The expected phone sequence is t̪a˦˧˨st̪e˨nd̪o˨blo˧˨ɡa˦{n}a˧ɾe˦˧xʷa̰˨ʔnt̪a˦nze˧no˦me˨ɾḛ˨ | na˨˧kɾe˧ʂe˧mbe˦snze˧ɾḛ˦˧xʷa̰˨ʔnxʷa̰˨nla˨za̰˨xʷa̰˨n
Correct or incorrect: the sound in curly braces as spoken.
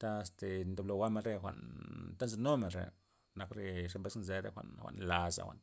incorrect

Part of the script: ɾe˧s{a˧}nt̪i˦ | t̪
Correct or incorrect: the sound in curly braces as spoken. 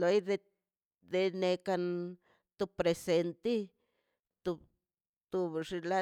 incorrect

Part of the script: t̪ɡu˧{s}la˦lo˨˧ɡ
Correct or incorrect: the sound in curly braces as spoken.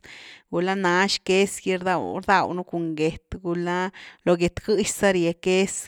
incorrect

